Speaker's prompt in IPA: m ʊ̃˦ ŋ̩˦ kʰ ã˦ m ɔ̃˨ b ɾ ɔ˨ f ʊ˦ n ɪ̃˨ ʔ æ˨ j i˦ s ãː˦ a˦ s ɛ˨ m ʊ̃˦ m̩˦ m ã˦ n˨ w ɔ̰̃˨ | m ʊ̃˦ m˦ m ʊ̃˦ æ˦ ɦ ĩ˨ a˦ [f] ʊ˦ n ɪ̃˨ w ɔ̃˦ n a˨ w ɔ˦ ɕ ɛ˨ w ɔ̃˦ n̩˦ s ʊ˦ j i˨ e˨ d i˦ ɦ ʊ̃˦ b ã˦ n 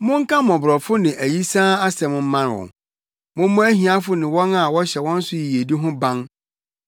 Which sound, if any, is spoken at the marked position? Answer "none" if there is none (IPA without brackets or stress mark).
f